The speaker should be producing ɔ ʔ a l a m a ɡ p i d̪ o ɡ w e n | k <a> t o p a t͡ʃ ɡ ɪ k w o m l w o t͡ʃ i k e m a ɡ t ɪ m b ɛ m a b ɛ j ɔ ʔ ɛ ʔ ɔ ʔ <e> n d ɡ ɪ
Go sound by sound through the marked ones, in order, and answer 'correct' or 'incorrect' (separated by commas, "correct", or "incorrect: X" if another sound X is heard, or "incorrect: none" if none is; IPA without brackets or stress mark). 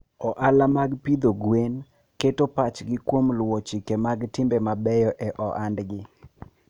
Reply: incorrect: e, incorrect: a